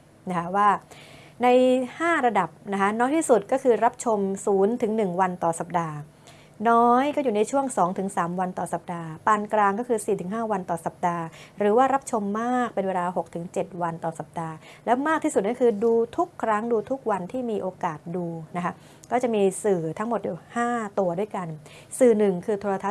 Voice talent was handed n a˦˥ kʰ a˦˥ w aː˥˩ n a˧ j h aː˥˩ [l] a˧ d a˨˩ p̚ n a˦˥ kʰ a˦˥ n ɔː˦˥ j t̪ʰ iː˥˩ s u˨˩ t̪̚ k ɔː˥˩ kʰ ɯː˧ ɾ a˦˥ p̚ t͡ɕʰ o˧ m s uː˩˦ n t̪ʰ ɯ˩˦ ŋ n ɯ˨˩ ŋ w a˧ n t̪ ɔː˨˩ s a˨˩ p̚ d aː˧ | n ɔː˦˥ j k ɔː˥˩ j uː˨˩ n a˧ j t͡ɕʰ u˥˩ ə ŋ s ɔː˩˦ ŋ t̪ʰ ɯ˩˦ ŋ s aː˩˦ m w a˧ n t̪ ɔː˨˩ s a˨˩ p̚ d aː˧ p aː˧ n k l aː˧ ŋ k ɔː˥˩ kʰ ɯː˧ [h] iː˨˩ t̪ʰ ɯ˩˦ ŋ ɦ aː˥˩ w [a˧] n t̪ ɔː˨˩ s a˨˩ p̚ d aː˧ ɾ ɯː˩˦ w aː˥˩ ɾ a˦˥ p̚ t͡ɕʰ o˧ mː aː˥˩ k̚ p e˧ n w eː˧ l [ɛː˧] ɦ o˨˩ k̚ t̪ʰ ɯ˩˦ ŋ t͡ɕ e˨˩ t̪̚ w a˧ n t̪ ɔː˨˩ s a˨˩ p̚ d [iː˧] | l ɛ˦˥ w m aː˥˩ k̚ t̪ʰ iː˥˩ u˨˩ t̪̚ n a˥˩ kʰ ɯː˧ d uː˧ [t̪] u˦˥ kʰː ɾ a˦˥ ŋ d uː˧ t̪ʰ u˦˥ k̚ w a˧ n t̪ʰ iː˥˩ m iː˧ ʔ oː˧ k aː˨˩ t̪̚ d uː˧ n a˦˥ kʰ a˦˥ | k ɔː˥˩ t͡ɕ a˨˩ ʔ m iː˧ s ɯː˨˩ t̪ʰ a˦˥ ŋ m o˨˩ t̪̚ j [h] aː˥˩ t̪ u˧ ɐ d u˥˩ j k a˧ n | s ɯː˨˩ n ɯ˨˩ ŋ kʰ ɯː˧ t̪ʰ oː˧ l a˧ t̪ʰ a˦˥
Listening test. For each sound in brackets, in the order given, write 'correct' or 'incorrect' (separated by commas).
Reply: incorrect, incorrect, correct, incorrect, incorrect, incorrect, correct